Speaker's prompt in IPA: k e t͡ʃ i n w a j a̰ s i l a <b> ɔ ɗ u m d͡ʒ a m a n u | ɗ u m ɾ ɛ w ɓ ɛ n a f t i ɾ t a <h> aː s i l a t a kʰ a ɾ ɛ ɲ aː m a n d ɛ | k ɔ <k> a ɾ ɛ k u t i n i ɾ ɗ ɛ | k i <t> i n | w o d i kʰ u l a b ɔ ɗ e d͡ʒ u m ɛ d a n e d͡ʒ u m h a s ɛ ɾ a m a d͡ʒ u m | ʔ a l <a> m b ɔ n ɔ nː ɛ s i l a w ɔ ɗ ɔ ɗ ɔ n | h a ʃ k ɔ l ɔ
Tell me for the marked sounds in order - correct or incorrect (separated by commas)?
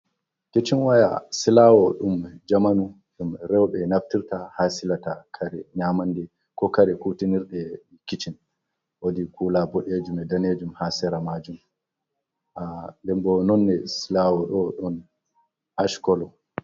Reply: incorrect, correct, correct, incorrect, incorrect